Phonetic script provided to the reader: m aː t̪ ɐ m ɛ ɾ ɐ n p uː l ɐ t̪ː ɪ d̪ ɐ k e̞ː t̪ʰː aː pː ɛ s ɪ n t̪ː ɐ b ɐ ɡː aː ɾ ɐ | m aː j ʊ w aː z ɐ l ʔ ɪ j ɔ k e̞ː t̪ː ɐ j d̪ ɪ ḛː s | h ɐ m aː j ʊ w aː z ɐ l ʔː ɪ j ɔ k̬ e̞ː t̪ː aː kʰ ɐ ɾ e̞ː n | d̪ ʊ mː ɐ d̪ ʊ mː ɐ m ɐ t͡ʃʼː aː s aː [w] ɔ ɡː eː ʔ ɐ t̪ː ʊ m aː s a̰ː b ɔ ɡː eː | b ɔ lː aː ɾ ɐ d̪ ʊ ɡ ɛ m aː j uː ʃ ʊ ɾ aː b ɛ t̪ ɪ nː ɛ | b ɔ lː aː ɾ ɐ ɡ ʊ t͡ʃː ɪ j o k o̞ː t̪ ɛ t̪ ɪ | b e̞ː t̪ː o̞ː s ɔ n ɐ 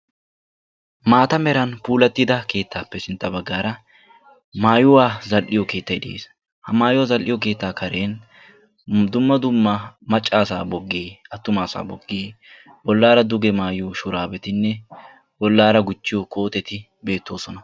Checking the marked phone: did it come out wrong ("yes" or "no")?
yes